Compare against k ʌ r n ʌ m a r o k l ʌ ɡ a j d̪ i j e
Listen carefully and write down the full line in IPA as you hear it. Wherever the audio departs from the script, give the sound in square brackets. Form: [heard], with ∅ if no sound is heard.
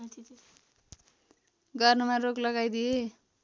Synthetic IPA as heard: [ɡ] ʌ r n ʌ m a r o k l ʌ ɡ a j d̪ i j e